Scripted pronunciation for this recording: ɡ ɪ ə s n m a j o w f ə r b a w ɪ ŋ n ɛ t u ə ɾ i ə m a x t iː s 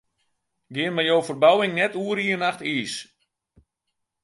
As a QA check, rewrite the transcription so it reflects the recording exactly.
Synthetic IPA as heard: ɡ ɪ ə n m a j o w f ə r b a w ɪ ŋ n ɛ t u ə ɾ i ə n a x t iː s